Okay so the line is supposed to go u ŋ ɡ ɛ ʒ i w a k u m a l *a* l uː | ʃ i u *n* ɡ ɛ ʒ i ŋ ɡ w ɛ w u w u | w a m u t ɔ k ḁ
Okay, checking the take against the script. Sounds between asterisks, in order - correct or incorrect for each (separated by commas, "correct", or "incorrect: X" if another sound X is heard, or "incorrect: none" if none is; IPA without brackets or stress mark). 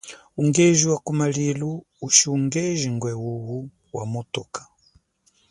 incorrect: i, incorrect: ŋ